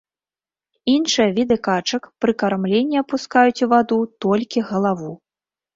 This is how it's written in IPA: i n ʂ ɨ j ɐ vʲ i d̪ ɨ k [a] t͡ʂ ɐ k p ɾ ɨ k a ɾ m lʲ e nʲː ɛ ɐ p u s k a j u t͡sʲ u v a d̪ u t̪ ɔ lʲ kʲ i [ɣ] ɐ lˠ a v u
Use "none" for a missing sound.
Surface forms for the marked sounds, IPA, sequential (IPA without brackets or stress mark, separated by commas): a, ɣ